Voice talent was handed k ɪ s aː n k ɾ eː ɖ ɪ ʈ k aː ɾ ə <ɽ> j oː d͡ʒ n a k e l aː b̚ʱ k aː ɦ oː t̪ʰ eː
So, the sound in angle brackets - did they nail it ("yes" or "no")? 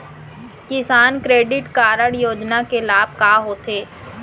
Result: yes